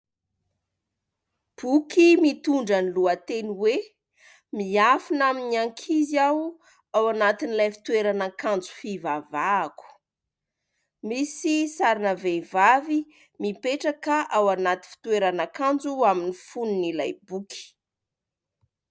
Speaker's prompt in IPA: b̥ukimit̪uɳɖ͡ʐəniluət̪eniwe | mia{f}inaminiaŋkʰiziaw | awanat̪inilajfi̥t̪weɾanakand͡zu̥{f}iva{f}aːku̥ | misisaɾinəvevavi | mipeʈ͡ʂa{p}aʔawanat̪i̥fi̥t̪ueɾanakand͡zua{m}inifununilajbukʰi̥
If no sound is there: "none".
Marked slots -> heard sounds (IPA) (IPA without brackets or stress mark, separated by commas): f, f, v, k, m